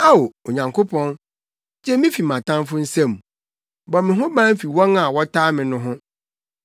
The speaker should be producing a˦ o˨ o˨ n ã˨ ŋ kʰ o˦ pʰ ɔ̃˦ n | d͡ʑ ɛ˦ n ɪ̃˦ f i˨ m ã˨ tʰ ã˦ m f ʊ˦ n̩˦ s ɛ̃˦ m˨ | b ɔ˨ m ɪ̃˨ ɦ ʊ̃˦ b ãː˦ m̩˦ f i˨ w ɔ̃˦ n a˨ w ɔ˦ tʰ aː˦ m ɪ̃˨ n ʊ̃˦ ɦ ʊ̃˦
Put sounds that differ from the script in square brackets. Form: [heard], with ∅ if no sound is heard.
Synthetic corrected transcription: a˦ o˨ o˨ [ɲ] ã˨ ŋ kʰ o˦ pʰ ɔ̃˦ n | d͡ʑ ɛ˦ [m] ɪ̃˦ f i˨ m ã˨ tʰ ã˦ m f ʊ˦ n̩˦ s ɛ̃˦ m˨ | b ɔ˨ m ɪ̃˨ ɦ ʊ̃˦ b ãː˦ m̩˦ f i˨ w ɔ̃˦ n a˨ w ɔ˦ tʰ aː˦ m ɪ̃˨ n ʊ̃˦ ɦ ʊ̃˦

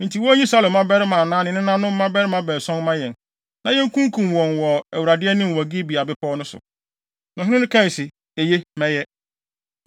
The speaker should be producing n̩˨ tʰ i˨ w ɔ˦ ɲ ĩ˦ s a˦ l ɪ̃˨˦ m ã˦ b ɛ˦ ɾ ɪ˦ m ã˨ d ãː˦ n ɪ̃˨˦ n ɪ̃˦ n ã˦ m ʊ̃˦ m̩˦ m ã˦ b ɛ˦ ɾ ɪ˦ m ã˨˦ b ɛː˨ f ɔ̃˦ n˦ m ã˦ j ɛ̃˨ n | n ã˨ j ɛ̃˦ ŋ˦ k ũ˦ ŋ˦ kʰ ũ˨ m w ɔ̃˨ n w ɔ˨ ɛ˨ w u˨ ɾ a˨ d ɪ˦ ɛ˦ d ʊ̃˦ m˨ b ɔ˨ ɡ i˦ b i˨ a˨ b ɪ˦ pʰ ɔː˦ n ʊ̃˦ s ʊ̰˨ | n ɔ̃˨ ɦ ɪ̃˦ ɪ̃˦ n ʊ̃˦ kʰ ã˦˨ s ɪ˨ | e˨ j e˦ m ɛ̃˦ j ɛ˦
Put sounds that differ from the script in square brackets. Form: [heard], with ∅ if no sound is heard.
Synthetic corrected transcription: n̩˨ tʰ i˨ w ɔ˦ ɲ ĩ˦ s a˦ l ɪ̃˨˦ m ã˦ b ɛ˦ ɾ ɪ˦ m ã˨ [n] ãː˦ n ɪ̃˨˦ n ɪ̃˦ n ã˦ [n] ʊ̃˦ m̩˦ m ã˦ b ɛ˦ ɾ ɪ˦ m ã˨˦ b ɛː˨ [s] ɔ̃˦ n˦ m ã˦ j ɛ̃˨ n | n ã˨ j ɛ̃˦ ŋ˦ k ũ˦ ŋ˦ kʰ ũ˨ m w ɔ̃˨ n w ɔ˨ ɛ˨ w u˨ ɾ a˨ d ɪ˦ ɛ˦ [n] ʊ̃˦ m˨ [w] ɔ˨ ɡ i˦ b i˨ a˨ b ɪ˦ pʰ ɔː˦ n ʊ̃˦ s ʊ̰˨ | n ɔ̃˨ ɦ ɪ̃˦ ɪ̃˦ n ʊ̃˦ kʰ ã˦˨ s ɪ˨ | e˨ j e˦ m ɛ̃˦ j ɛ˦

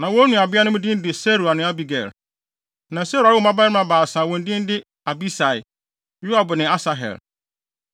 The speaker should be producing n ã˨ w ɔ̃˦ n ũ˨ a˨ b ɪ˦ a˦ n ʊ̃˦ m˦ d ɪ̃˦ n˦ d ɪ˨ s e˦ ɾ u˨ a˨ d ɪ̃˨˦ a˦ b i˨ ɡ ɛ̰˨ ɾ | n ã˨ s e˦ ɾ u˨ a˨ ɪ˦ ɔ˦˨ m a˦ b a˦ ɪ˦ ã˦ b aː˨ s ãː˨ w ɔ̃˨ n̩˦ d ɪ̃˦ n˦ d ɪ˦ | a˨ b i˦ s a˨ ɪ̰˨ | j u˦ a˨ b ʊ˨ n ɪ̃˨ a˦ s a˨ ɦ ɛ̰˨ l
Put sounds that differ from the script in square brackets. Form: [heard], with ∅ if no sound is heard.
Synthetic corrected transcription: n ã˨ w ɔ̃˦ n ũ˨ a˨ b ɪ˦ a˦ n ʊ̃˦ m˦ d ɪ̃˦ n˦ d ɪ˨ s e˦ ɾ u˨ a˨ [n] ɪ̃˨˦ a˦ b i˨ ɡ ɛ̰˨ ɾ | n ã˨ s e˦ ɾ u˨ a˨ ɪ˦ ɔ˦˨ m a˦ b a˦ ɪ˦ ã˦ b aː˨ s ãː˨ w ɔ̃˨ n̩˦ d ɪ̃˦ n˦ d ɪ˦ | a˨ b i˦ s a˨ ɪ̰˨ | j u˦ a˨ b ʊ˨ n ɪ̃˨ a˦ s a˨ ɦ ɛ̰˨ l

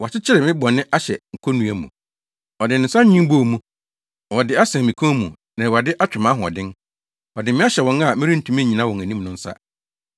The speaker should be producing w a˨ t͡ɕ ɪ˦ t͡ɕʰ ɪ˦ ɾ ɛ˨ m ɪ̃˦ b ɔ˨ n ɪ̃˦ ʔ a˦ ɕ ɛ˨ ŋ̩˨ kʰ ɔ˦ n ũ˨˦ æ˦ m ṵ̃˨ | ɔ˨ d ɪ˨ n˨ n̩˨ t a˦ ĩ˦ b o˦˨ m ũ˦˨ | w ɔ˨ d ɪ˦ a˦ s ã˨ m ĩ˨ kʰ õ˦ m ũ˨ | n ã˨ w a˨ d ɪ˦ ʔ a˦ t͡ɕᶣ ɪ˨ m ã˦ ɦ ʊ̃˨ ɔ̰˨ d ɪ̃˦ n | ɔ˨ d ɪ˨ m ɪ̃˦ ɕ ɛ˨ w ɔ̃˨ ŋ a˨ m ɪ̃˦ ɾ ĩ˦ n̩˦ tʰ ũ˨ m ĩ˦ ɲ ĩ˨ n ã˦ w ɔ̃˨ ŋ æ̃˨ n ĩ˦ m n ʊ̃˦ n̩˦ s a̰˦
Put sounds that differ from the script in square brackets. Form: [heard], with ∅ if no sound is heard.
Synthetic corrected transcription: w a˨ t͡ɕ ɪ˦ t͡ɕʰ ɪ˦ ɾ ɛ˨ m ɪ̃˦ b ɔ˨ n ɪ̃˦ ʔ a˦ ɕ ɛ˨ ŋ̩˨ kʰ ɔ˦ n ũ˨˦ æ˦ m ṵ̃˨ | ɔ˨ d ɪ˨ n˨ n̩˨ [s] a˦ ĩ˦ b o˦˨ m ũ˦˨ | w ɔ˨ d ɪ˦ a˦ s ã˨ m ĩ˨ kʰ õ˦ m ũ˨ | n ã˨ w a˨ d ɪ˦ ʔ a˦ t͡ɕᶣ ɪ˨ m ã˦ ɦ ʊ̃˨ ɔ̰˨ d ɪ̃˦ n | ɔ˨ d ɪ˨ m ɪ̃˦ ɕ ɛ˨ w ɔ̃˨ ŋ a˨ m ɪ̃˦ ɾ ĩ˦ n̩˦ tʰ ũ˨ m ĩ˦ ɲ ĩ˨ n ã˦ w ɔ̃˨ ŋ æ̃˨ n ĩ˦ m n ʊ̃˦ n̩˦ s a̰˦

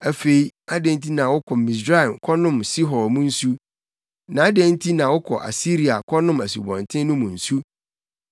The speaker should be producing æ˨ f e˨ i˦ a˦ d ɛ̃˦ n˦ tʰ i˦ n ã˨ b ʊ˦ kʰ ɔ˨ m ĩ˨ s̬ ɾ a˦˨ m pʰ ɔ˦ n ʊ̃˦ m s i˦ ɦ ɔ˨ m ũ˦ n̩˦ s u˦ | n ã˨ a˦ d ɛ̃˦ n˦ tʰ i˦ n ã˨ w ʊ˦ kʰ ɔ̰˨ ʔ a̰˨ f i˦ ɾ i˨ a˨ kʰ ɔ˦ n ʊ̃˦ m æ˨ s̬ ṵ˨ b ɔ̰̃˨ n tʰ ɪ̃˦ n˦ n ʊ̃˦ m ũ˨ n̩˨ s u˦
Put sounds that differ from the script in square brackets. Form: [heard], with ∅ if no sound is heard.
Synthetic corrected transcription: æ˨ f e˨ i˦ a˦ d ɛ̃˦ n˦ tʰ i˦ n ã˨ [w] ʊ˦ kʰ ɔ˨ m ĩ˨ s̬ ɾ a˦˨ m [kʰ] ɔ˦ n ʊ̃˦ m s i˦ ɦ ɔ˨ m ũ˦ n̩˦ s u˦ | n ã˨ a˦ d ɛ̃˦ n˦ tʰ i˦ n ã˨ w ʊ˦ kʰ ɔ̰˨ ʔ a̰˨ [s] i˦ ɾ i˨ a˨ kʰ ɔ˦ n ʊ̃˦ m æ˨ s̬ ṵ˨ b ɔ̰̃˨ n tʰ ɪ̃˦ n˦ n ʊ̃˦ m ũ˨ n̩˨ s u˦

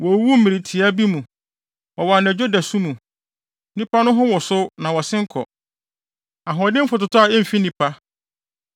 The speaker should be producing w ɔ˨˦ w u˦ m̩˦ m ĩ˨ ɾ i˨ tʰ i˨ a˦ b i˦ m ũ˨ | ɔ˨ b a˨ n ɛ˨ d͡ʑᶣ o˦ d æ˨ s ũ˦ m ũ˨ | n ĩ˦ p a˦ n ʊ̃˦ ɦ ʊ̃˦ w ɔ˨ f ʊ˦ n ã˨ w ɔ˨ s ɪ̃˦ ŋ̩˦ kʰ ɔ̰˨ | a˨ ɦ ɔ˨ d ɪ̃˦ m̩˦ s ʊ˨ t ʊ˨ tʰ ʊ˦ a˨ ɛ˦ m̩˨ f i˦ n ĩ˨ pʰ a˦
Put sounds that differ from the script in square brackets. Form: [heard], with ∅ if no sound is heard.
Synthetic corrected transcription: w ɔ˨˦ w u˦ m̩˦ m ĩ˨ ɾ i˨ tʰ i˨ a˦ b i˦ m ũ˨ | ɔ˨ [w] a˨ n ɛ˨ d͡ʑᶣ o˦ d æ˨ s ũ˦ m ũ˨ | n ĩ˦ p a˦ n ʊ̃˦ ɦ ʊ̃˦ w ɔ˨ [s] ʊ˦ n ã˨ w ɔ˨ s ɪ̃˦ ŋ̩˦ kʰ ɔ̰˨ | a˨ ɦ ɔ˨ d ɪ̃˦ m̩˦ [f] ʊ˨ t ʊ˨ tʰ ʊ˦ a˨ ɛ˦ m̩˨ f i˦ n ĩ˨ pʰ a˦

